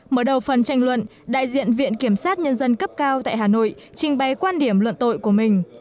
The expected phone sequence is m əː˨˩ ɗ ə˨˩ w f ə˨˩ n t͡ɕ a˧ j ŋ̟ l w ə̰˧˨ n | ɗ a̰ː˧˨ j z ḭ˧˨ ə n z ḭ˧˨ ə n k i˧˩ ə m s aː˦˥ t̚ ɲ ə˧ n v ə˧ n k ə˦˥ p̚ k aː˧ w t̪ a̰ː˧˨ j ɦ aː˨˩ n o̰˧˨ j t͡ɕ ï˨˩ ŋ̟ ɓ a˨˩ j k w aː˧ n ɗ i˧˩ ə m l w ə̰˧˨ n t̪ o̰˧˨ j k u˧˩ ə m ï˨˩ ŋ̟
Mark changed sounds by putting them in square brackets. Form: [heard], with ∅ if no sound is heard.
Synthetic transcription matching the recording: m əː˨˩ ɗ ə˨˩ w f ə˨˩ n t͡ɕ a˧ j ŋ̟ l w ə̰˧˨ n | ɗ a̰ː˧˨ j z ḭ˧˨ ə n [v] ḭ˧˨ ə n k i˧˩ ə m s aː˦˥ t̚ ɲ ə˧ n [z] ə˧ n k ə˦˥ p̚ k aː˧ w t̪ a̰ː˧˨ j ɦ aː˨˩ n o̰˧˨ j t͡ɕ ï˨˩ ŋ̟ ɓ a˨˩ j k w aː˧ n ɗ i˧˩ ə m l w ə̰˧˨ n t̪ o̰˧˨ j k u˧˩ ə m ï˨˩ ŋ̟

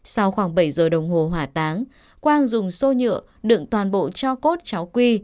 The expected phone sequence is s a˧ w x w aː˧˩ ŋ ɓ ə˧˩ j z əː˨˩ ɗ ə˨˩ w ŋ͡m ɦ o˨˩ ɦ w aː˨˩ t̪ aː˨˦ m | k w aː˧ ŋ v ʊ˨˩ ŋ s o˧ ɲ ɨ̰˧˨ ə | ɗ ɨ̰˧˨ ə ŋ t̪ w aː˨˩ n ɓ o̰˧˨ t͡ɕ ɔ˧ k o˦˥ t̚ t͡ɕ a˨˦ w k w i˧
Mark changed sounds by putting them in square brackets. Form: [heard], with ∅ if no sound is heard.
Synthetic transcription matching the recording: s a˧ w x w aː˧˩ ŋ ɓ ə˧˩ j z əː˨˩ ɗ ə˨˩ w ŋ͡m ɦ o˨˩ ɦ w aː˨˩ t̪ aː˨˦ [ŋ] | k w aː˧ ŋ [z] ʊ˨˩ [ŋ͡m] s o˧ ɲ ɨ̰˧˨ ə | ɗ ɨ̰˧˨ ə ŋ t̪ w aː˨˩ n ɓ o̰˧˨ t͡ɕ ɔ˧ k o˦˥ t̚ t͡ɕ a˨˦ w k w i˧

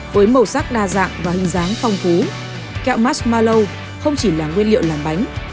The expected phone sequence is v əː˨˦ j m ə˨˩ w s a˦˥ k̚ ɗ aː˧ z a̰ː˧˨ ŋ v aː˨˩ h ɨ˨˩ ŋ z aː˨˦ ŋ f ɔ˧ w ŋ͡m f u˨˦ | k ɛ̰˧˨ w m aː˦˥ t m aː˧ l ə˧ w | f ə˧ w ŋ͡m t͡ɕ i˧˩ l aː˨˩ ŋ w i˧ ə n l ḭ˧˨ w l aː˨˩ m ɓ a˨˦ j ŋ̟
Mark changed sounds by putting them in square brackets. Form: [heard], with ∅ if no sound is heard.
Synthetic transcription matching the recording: v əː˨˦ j m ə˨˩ w s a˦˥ k̚ ɗ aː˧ z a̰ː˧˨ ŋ v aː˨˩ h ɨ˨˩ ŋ z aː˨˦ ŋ f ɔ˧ w ŋ͡m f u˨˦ | k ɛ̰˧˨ w m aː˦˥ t m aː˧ l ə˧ w | [x] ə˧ w ŋ͡m t͡ɕ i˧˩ l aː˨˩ ŋ w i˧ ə n l ḭ˧˨ w l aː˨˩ m ɓ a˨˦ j ŋ̟

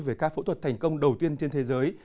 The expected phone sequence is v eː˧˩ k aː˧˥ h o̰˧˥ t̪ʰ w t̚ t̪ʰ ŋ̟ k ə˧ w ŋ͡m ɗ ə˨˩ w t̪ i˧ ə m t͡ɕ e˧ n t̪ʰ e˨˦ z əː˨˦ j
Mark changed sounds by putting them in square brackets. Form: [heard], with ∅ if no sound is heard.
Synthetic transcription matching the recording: v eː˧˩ k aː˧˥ [f] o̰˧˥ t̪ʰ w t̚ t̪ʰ ŋ̟ k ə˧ w ŋ͡m ɗ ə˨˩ w t̪ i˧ ə [n] t͡ɕ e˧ n t̪ʰ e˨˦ z əː˨˦ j

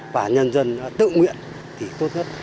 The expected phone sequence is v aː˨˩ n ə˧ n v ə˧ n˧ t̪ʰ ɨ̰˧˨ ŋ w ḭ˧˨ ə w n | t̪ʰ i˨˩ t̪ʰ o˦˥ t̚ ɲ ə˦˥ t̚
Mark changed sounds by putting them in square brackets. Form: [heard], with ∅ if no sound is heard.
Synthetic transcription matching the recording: v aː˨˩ [ɲ] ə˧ n [z] ə˧ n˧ [t̪] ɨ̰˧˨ ŋ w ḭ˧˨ ə [∅] n | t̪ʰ i˨˩ [t̪] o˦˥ t̚ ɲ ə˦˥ t̚

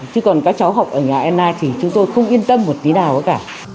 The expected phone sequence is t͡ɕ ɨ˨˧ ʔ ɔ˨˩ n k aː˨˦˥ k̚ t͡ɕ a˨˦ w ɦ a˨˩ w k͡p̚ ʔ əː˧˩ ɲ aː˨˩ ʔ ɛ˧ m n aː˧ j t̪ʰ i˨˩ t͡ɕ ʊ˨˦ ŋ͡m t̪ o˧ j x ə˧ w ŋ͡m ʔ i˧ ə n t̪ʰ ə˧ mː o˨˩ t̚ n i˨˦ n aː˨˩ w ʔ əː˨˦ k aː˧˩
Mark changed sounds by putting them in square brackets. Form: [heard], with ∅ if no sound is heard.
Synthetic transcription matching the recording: t͡ɕ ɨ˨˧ [k] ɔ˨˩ n k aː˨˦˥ k̚ t͡ɕ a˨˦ w ɦ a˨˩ w k͡p̚ ʔ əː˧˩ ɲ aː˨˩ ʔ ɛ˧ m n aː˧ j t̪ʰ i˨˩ t͡ɕ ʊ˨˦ ŋ͡m t̪ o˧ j x ə˧ w ŋ͡m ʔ i˧ ə n [t̪] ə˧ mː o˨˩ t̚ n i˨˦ n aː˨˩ w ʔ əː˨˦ k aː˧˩

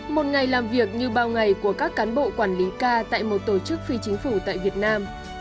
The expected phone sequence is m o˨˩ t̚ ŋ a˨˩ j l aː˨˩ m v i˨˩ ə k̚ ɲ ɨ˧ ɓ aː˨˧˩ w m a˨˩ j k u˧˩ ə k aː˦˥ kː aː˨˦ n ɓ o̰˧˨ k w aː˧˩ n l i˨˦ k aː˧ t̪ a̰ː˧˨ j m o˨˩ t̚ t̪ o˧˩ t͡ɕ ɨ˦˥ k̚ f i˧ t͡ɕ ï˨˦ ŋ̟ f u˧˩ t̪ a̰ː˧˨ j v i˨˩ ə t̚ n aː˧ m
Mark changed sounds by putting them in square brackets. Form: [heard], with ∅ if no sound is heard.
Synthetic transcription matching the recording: m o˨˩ t̚ ŋ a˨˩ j l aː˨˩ m v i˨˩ ə k̚ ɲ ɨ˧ ɓ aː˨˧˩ w [ŋ] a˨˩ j k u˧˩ ə k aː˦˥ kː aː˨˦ n ɓ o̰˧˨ k w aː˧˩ n l i˨˦ k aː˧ t̪ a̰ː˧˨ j m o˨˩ t̚ t̪ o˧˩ t͡ɕ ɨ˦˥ k̚ f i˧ t͡ɕ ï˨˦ ŋ̟ f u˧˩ t̪ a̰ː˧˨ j v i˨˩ ə t̚ n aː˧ m

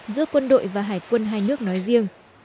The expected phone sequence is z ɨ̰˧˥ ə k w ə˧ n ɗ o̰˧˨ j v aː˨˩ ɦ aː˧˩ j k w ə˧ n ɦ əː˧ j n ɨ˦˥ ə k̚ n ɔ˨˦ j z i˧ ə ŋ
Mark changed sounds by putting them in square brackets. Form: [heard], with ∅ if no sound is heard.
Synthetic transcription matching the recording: z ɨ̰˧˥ ə k w ə˧ n ɗ o̰˧˨ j v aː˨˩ ɦ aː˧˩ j k w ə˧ n ɦ [aː˧] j n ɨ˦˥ ə k̚ n ɔ˨˦ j z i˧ ə ŋ

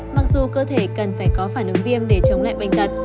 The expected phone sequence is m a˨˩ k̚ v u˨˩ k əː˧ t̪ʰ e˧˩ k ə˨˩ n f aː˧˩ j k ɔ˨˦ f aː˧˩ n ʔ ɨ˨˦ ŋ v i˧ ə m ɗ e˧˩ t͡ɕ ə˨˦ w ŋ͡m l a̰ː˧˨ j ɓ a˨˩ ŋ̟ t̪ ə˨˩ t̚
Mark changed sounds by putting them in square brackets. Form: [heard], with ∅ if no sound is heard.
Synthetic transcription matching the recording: m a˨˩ k̚ [z] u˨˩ k əː˧ t̪ʰ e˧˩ k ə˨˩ n f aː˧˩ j k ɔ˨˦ f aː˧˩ n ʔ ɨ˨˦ ŋ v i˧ ə m ɗ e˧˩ t͡ɕ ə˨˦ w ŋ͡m l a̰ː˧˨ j ɓ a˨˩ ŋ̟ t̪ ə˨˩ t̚

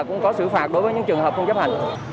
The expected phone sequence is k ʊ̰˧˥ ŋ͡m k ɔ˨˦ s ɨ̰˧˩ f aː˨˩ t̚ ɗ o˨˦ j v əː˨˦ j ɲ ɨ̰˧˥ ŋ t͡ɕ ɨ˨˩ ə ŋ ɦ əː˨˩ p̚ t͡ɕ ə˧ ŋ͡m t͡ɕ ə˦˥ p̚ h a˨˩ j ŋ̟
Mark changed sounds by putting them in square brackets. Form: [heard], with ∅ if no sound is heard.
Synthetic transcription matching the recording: k ʊ̰˧˥ ŋ͡m k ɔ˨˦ s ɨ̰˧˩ f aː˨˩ t̚ ɗ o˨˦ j v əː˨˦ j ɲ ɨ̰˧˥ ŋ t͡ɕ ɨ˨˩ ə ŋ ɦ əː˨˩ p̚ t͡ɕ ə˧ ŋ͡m t͡ɕ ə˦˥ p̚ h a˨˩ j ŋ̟

